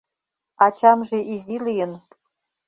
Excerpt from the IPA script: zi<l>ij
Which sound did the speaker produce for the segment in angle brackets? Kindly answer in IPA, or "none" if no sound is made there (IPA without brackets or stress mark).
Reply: l